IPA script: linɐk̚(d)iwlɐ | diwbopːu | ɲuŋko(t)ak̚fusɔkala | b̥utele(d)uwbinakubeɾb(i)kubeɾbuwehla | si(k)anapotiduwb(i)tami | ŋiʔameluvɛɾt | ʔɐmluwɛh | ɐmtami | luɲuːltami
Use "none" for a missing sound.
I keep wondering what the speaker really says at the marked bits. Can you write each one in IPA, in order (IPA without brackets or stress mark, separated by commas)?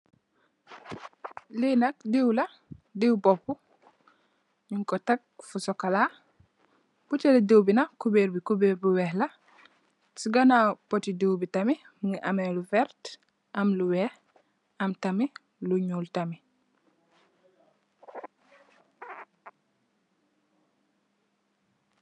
d, t, d, i, ɡ, i